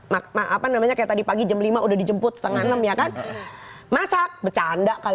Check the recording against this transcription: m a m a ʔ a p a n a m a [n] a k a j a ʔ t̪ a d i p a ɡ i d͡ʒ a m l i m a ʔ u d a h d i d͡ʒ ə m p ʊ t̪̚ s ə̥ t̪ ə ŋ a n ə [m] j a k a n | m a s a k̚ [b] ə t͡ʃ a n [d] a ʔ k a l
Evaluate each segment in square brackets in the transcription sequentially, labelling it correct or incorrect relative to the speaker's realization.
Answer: incorrect: ɲ, correct, correct, correct

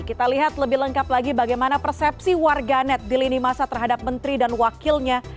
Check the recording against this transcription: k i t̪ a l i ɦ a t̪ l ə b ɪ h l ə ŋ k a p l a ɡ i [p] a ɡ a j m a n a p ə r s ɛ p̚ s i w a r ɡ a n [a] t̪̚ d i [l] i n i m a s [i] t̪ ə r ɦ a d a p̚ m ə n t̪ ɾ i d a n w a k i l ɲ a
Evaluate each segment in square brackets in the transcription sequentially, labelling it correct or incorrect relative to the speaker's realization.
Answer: incorrect: b, incorrect: ɛ, correct, incorrect: a

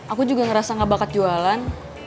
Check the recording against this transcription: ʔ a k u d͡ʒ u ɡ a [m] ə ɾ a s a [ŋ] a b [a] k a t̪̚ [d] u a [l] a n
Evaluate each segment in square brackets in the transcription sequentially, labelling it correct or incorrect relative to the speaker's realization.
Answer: incorrect: ŋ, correct, correct, incorrect: d͡ʒ, correct

